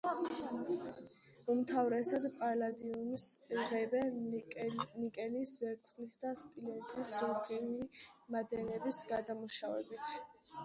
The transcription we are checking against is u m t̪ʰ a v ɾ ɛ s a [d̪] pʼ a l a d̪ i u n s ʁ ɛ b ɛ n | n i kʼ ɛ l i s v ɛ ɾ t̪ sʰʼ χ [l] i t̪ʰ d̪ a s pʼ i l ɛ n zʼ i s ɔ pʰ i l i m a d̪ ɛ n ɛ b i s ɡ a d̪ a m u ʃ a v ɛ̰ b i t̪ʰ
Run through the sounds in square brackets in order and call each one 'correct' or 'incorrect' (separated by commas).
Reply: correct, correct